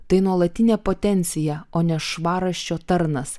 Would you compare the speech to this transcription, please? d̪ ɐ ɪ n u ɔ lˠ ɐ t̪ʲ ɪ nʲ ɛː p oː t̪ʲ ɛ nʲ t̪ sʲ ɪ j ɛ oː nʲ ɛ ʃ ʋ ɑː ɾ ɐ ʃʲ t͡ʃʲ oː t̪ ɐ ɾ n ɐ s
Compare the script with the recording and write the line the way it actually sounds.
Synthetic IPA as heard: t̪ ɐ ɪ n u ɔ lˠ ɐ t̪ʲ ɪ nʲ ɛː p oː t̪ʲ ɛ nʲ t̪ sʲ ɪ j ɛ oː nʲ ɛ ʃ ʋ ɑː ɾ ɐ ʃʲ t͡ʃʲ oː t̪ ɐ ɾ n ɐ s